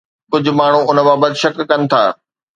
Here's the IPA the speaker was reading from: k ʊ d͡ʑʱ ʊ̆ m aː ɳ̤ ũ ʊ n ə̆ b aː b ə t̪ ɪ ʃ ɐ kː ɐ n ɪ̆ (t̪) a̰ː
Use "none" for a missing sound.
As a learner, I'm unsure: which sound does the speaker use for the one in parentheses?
t̪ʰ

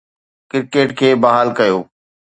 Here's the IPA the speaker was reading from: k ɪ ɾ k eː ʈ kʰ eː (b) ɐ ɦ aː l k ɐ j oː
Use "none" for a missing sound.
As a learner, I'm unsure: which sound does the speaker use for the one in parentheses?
b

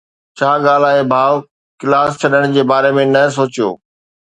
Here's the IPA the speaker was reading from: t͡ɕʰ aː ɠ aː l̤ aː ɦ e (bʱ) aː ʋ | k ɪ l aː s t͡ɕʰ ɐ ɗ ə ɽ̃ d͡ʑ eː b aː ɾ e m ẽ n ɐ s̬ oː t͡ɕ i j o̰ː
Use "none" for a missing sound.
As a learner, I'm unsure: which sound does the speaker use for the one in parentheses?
bʱ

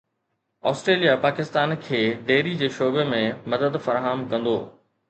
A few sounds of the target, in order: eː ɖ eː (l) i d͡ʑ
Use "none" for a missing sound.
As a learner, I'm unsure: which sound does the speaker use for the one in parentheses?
ɾ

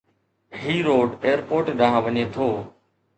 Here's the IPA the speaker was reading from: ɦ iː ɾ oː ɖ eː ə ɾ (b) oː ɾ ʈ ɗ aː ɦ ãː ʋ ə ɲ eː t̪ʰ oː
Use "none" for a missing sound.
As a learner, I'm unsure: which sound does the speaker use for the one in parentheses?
p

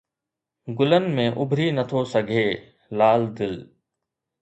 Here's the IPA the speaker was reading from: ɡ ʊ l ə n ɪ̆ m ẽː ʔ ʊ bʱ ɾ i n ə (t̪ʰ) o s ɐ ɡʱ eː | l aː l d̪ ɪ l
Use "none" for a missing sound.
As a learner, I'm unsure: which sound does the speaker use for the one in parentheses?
t̪ʰ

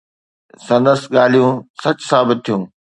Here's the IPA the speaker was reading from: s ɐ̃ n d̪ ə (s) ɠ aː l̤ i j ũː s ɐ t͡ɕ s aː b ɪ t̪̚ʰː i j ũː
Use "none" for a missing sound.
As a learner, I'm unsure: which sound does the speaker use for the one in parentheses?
s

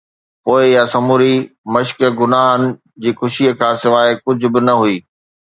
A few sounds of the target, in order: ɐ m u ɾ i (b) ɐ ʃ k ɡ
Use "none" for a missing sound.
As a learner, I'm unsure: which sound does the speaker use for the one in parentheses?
m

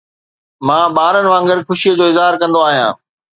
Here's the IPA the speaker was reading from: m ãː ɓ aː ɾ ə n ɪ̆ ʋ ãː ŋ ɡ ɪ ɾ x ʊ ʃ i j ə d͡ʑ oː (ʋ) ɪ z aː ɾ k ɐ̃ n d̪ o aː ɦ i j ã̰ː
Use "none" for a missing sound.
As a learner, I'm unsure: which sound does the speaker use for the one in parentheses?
none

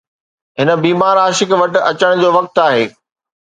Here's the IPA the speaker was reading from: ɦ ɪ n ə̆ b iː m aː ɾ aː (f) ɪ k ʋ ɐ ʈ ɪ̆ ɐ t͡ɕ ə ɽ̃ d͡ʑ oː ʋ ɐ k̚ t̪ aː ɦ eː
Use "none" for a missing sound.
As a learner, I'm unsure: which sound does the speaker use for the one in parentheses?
ʃ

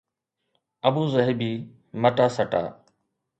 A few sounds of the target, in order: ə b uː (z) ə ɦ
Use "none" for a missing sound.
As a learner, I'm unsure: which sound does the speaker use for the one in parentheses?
z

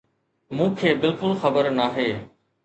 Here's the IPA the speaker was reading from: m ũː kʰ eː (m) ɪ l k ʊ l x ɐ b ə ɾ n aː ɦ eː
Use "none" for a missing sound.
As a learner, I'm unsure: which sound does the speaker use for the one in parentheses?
b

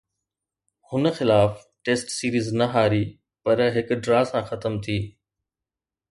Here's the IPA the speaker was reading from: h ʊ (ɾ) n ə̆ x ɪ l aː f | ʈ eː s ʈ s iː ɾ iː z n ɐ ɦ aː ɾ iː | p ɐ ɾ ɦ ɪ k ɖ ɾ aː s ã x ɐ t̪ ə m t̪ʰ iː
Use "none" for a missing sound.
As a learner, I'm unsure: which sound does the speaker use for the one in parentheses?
none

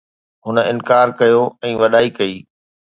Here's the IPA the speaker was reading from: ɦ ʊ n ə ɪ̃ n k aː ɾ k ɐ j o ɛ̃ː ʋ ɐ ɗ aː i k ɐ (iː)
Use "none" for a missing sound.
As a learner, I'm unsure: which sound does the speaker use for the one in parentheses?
iː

